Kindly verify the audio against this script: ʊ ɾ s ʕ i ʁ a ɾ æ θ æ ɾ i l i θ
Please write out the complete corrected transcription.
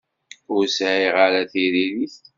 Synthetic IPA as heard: ʊ ɾ s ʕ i ʁ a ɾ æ θ i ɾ i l i θ